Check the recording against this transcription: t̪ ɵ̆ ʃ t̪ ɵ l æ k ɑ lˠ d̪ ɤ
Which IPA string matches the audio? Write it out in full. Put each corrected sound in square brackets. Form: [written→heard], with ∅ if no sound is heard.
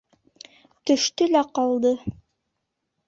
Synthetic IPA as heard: t̪ ɵ̆ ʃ t̪ ɵ l æ [k→q] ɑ lˠ d̪ ɤ